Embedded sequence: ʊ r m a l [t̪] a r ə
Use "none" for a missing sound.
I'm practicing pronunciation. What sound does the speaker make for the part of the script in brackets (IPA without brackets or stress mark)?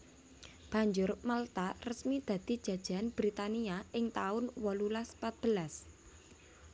t̪